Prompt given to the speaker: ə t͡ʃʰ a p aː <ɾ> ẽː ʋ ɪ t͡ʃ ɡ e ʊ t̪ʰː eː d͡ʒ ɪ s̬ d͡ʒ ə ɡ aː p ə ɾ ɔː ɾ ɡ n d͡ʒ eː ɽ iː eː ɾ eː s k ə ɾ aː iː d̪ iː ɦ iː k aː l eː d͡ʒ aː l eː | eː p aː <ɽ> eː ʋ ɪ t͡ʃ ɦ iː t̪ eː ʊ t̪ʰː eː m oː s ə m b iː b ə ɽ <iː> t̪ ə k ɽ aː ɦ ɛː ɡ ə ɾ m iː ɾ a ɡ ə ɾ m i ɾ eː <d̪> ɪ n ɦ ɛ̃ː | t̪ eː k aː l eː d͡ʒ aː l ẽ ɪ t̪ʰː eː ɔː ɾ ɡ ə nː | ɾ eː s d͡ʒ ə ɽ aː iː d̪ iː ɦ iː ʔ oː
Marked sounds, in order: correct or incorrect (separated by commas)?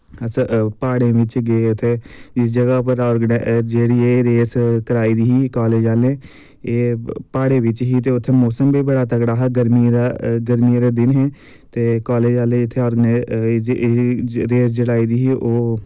incorrect, correct, incorrect, correct